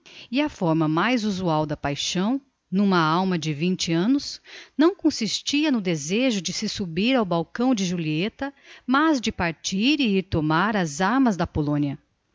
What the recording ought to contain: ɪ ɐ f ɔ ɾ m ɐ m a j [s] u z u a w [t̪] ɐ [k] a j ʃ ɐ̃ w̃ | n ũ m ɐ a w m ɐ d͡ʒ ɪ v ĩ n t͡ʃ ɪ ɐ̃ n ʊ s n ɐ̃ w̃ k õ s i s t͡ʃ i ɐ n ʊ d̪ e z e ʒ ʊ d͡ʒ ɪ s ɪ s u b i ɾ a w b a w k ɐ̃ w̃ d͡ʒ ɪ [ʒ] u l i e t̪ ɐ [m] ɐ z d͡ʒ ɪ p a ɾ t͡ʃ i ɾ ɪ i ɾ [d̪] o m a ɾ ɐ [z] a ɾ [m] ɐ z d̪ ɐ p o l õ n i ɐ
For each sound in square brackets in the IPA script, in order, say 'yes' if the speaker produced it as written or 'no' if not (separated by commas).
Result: no, no, no, yes, yes, no, yes, yes